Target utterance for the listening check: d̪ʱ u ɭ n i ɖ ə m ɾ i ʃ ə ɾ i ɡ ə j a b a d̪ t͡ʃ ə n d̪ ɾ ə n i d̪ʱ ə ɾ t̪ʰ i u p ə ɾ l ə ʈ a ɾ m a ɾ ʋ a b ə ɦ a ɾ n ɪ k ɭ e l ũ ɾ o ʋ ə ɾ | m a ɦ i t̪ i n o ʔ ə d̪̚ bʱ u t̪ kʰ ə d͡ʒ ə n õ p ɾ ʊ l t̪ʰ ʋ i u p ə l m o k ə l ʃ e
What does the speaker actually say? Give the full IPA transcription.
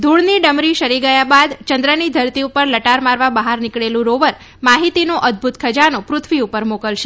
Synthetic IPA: d̪ʱ u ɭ n i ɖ ə m ɾ i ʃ ə ɾ i ɡ ə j a b a d̪ t͡ʃ ə n d̪ ɾ ə n i d̪ʱ ə ɾ t̪ i u p ə ɾ l ə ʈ a ɾ m a ɾ ʋ a b ə ɦ a ɾ n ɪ k ɭ e l ũ ɾ o ʋ ə ɾ | m a ɦ i t̪ i n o ʔ ə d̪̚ bʱ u t̪ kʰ ə d͡ʒ a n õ p ɾ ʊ t̪ʰ ʋ i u p ə ɾ m o k ə l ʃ e